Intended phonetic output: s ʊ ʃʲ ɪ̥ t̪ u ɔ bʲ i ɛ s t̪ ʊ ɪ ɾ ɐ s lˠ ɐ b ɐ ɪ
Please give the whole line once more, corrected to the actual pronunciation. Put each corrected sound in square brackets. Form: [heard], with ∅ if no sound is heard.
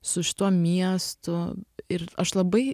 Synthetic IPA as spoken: s ʊ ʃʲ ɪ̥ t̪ u ɔ [mʲ] i ɛ s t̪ ʊ ɪ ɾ ɐ [ʃ] lˠ ɐ b ɐ ɪ